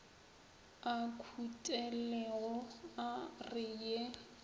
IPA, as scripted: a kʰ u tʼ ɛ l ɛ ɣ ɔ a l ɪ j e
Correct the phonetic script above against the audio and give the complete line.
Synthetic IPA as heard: a kʰ u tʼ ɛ l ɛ ɣ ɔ a r ɪ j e